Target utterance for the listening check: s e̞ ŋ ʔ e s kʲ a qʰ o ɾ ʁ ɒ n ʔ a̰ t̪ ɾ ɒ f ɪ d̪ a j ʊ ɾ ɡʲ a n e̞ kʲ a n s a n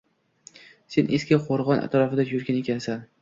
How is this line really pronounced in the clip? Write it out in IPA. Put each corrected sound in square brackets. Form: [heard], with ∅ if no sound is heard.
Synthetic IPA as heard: s e̞ [n] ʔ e s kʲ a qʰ o ɾ ʁ ɒ n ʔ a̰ t̪ ɾ ɒ f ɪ d̪ a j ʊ ɾ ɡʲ a n e̞ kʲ a n s a n